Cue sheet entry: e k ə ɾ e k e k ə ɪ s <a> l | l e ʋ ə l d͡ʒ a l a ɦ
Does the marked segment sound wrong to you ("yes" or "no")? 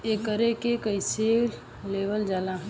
yes